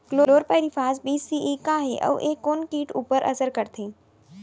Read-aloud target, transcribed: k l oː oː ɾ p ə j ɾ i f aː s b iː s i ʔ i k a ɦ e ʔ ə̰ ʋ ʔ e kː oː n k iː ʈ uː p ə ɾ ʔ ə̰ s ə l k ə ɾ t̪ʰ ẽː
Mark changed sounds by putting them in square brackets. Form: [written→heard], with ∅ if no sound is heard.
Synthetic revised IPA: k l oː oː ɾ p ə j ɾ i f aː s b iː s i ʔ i k a ɦ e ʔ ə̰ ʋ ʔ e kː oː n k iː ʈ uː p ə ɾ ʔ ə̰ s ə [l→ɾ] k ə ɾ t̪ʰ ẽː